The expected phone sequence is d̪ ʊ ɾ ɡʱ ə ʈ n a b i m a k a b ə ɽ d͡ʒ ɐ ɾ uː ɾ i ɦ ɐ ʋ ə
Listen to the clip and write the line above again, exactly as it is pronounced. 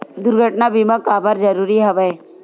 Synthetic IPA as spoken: d̪ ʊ ɾ ɡʱ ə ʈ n a b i m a k a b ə ɾ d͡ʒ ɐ ɾ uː ɾ i ɦ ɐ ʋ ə